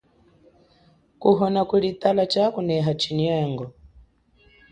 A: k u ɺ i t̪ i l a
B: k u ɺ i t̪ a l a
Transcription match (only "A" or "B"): B